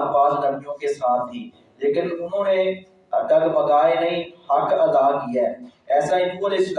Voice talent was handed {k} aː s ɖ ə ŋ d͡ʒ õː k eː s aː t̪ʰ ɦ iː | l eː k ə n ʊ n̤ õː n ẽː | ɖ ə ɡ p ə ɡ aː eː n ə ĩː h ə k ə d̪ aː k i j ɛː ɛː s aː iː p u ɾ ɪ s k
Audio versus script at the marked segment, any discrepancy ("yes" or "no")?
yes